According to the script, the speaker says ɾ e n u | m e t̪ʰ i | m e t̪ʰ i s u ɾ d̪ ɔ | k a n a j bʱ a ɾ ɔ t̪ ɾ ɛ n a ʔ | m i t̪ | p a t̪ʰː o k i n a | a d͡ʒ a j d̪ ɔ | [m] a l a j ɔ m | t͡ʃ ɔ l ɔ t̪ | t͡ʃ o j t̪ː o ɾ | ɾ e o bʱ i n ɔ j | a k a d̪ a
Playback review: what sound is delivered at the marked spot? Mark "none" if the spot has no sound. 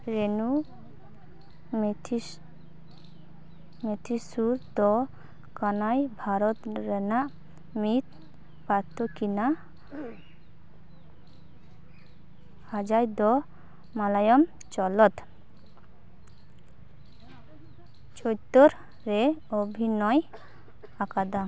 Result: m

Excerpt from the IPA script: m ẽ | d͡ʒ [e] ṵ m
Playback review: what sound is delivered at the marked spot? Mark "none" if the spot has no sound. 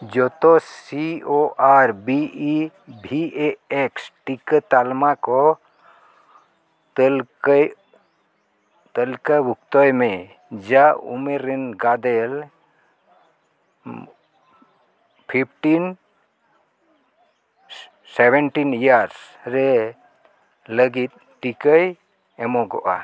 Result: a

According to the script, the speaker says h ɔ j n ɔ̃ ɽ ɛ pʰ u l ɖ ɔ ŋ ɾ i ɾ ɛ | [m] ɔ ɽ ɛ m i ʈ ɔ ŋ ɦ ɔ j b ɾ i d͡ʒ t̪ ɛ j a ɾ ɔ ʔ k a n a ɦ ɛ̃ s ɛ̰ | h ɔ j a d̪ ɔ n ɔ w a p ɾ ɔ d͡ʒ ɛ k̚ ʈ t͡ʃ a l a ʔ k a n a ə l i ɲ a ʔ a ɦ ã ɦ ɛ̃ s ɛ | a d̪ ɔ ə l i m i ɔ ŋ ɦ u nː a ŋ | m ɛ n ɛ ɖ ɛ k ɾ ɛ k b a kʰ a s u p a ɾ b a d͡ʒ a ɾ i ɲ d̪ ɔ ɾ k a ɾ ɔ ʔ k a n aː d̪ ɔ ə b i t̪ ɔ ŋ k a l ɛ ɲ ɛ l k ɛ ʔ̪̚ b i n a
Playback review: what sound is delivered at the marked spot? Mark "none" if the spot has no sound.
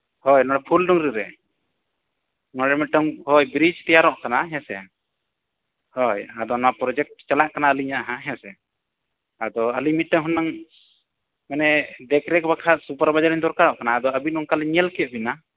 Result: n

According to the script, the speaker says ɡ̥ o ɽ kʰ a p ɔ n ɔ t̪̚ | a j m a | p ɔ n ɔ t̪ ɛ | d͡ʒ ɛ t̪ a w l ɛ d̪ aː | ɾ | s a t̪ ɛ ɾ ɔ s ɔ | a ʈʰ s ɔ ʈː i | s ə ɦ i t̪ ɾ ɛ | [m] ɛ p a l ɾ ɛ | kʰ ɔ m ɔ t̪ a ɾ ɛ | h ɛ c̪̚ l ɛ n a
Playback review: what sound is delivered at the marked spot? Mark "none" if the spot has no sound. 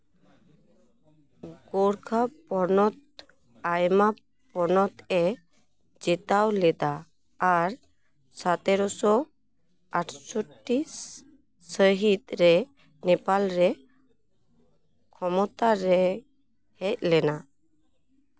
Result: n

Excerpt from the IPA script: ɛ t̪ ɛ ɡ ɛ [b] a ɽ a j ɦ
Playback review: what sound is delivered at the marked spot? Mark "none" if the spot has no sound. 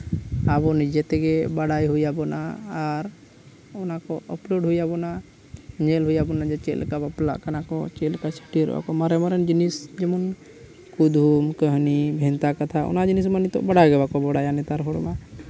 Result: b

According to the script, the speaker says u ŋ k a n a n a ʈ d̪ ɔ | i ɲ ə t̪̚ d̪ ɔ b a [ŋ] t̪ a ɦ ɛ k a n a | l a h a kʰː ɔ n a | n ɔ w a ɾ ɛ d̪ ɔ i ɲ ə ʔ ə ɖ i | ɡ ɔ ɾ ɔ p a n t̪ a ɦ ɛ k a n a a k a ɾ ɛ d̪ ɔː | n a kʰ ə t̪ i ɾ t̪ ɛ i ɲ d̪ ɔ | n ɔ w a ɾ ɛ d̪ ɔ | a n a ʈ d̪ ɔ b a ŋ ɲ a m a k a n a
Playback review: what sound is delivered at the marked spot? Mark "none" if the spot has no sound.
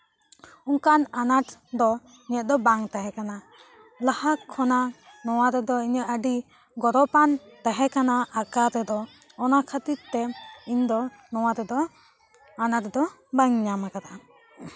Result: ŋ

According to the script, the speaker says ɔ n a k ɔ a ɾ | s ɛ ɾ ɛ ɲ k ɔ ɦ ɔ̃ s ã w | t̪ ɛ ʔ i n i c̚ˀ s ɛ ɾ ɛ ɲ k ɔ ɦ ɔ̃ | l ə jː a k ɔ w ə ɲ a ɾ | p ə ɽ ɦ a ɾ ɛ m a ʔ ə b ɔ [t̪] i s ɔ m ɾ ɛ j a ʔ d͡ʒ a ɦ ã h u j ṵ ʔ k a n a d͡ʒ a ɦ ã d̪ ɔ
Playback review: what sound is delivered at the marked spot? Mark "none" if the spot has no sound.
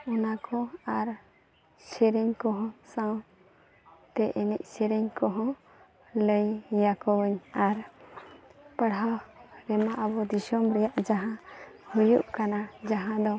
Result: d̪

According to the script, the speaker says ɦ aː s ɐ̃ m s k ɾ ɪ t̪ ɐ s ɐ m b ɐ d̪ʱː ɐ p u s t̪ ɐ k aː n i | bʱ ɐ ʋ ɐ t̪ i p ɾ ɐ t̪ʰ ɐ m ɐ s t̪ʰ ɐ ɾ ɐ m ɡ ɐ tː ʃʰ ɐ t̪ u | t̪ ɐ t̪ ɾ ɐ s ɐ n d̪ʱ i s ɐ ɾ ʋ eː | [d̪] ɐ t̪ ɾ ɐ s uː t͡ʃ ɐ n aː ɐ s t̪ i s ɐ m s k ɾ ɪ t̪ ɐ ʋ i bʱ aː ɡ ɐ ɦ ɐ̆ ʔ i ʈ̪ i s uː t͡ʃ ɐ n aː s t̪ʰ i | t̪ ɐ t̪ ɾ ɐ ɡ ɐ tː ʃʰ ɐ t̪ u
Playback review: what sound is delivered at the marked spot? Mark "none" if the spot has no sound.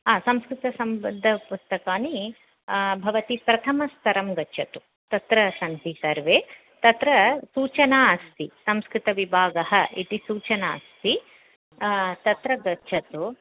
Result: t̪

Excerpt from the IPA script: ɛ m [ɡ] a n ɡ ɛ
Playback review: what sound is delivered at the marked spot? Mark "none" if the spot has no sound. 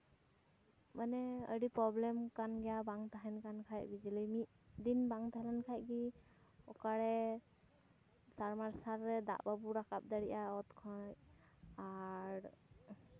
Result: k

